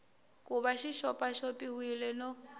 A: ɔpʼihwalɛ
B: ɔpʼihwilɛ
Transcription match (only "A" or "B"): B